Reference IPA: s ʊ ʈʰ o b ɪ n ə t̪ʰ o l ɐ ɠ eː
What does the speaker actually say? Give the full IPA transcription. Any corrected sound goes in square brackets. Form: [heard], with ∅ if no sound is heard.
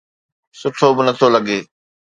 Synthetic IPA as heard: s ʊ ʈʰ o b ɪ n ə t̪ʰ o l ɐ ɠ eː